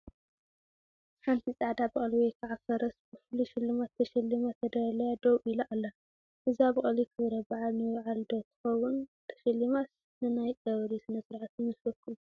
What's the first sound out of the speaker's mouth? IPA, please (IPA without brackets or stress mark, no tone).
ħ